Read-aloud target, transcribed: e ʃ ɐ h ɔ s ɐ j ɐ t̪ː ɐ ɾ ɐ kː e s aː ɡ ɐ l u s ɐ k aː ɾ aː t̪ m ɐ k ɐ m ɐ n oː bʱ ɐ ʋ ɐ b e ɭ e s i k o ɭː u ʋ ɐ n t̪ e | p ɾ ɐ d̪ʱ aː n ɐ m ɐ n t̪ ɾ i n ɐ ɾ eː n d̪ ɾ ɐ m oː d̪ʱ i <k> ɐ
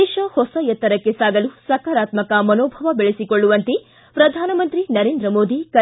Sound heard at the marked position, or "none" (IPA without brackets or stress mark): k